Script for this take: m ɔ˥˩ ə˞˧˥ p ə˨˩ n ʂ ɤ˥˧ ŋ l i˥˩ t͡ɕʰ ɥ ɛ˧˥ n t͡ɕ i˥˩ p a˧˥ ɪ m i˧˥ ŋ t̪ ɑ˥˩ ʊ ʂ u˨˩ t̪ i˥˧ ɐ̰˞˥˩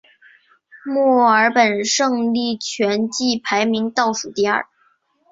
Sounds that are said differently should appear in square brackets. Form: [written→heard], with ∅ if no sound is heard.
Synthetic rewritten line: m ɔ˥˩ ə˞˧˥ p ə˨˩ n ʂ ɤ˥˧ ŋ l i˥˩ t͡ɕʰ ɥ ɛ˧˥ n t͡ɕ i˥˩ [p→pʰ] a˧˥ ɪ m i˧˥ ŋ t̪ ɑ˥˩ ʊ ʂ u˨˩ t̪ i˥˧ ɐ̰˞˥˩